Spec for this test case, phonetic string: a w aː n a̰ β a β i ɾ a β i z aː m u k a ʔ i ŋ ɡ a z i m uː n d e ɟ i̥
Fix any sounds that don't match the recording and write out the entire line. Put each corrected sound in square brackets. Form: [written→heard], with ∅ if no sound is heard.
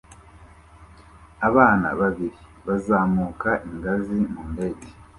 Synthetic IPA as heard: a [w→β] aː n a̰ β a β i ɾ [a→i] β [i→a] z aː m u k a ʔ i ŋ ɡ a z i m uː n d e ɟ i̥